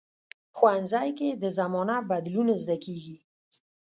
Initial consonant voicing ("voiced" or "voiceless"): voiceless